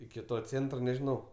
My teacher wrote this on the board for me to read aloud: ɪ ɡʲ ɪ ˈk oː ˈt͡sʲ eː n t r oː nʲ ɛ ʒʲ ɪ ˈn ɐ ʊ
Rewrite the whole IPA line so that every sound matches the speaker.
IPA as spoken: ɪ kʲ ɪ ˈt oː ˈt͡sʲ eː n t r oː nʲ ɛ ʒʲ ɪ ˈn ɐ ʊ